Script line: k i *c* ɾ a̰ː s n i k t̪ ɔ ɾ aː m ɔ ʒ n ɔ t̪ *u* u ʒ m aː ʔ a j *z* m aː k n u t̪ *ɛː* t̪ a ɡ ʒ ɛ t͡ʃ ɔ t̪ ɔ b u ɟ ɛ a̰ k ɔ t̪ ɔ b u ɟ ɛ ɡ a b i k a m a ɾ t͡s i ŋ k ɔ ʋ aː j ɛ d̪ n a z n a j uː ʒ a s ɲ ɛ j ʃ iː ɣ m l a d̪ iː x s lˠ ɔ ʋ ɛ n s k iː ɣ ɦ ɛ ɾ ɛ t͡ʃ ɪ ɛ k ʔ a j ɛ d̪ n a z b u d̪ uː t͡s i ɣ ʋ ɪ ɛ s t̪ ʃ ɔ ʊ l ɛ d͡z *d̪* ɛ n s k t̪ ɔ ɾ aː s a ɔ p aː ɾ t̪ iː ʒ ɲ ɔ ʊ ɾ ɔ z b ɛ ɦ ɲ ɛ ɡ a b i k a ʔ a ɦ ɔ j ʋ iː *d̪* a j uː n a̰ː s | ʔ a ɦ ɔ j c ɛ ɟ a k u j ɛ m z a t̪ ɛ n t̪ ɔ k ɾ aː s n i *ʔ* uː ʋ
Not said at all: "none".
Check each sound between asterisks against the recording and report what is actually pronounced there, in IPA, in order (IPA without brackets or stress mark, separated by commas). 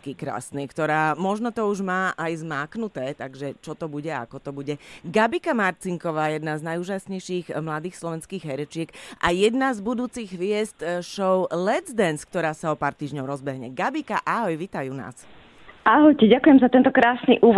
k, ɔ, z, ɛː, d̪, t̪, ʔ